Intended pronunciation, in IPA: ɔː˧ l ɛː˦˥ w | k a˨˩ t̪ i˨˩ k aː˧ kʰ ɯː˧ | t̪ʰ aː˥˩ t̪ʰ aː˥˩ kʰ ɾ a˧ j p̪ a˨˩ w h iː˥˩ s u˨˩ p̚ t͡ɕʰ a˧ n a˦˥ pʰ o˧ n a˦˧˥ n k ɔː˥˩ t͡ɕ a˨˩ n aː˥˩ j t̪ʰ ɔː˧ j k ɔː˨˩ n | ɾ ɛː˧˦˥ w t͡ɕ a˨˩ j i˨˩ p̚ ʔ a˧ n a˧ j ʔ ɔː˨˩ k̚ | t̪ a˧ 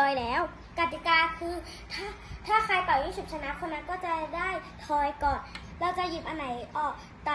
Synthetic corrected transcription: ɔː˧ l ɛː˦˥ w | k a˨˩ t̪ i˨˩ k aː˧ kʰ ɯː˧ | t̪ʰ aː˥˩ t̪ʰ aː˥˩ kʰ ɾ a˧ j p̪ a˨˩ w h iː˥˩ s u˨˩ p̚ t͡ɕʰ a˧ n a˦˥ kʰ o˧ n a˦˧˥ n k ɔː˥˩ t͡ɕ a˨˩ d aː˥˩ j t̪ʰ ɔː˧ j k ɔː˨˩ n | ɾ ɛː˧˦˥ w t͡ɕ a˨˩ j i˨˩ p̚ ʔ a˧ n a˩˦ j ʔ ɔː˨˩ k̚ | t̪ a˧

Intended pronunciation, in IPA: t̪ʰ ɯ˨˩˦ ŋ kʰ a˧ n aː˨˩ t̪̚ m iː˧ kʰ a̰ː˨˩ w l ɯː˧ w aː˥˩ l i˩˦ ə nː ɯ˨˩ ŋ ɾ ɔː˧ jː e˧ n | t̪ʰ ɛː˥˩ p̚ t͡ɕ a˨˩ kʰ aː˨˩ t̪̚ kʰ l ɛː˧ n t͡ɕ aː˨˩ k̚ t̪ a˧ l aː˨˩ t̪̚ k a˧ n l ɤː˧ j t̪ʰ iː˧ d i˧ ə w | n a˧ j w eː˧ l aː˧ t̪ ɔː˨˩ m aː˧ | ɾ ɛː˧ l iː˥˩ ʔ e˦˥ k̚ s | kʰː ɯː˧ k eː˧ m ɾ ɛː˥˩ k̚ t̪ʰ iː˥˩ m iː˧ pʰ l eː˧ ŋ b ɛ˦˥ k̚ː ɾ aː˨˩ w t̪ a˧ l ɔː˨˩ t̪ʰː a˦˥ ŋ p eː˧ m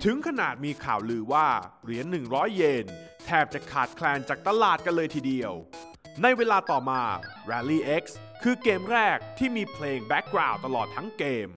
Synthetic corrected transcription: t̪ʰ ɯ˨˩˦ ŋ kʰ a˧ n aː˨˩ t̪̚ m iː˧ kʰ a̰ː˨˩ w l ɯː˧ w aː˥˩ ɾ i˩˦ ə nː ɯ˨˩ ŋ ɾ ɔː˦˥ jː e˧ n | t̪ʰ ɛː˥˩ p̚ t͡ɕ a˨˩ kʰ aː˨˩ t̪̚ kʰ l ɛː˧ n t͡ɕ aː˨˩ k̚ t̪ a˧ l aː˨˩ t̪̚ k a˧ n l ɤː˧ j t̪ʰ iː˨˩ d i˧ ə w | n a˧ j w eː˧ l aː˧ t̪ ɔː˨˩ m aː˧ | ɾ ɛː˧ l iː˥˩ ʔ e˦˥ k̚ s | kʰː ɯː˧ k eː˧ m ɾ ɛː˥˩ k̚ t̪ʰ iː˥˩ m iː˧ pʰ l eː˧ ŋ b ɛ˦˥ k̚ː ɾ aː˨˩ w t̪ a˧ l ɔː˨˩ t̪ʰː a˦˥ ŋ k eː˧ m

